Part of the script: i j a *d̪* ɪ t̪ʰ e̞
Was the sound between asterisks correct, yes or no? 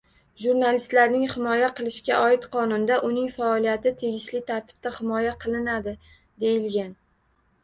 no